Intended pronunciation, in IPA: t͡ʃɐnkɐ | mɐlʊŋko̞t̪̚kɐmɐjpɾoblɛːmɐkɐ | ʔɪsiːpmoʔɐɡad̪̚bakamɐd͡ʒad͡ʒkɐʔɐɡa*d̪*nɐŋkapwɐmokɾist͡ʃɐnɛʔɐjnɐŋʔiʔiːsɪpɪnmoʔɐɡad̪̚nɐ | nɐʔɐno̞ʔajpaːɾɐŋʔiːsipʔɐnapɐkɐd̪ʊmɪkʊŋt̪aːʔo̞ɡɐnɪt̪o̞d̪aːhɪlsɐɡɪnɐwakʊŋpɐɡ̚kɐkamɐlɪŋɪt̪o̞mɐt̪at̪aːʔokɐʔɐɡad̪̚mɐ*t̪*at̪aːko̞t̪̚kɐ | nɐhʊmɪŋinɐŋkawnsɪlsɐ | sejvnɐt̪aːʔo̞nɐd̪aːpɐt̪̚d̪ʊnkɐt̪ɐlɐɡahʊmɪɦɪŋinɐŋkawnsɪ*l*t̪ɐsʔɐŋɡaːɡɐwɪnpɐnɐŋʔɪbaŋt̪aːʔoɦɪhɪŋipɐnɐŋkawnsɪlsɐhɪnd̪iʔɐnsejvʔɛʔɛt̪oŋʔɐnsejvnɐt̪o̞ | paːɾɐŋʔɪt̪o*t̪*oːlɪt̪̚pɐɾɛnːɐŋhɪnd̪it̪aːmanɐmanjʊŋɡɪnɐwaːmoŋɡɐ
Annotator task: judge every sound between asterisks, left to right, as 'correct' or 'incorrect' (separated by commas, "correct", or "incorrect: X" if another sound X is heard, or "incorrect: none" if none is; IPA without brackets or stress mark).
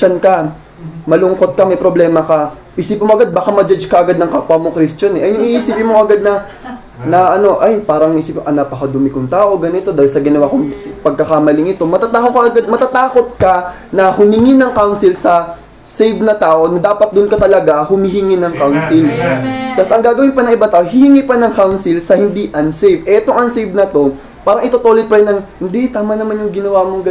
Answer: correct, correct, correct, correct